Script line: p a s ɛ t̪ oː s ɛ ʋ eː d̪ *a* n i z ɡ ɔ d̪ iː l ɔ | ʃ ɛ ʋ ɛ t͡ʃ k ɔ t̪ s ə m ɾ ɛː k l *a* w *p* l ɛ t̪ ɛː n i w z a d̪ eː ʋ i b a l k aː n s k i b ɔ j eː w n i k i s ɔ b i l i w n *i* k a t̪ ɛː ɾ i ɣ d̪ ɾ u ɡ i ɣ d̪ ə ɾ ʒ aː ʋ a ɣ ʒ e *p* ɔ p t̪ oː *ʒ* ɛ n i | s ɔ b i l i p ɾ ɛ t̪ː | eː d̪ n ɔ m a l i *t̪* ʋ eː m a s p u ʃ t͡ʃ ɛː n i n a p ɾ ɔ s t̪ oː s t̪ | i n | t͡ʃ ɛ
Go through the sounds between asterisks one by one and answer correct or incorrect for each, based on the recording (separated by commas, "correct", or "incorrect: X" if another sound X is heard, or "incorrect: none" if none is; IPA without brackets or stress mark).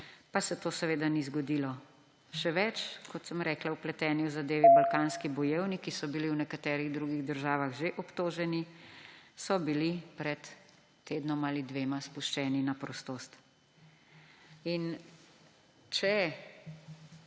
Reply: correct, correct, correct, incorrect: ɛ, incorrect: ʔ, correct, incorrect: d̪